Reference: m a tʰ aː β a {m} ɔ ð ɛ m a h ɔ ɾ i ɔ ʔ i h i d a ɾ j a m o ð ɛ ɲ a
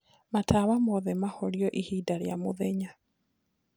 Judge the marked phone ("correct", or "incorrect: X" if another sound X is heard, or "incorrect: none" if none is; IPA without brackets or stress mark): correct